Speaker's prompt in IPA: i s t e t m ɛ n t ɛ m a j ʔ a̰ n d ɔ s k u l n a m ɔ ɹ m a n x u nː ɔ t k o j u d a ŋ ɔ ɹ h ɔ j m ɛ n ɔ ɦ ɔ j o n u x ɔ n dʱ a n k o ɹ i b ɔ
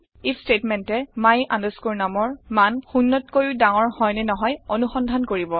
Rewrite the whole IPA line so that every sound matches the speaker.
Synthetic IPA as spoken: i s t e t m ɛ n t ɛ m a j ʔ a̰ n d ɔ s k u ɹ n a m ɔ ɹ m a n x u nː ɔ t k o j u d a ŋ ɔ ɹ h ɔ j n ɛ n ɔ ɦ ɔ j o n u x ɔ n dʱ a n k o ɹ i b ɔ